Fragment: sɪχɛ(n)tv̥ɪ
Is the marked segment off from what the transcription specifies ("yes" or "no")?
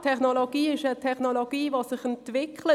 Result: no